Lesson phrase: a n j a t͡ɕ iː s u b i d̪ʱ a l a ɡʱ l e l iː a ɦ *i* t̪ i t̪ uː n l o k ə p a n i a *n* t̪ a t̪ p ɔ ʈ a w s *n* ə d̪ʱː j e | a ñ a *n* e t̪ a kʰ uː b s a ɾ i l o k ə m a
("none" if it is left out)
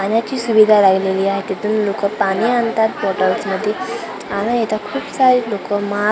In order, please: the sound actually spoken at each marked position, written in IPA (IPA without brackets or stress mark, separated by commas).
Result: e, n, m, none